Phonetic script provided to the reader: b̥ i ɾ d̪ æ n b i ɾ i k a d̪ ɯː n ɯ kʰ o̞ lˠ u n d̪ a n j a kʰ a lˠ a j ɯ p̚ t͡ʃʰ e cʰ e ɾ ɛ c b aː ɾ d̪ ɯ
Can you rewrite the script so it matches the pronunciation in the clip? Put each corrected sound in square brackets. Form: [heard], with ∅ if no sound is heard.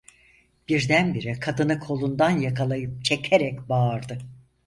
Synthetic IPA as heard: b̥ i ɾ d̪ æ n b i ɾ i [kʰ] a d̪ [ɯ] n ɯ kʰ o̞ lˠ u n d̪ a n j a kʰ a lˠ a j ɯ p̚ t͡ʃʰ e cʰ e ɾ ɛ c b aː ɾ d̪ ɯ